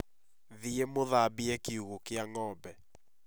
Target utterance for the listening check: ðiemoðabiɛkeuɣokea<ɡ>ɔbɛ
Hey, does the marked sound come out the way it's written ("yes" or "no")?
no